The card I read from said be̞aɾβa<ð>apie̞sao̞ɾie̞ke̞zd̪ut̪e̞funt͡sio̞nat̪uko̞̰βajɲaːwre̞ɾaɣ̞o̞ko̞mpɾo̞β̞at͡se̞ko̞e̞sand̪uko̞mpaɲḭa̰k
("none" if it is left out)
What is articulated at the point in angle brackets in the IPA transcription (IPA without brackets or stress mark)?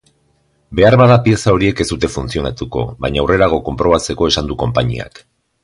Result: ð